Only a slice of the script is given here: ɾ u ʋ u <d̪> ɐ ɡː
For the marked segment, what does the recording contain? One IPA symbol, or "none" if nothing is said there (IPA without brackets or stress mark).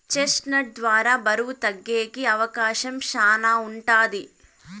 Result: t̪